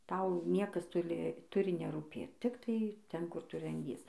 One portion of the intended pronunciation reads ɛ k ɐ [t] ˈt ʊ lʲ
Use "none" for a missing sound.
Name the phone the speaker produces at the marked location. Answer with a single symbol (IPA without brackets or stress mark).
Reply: s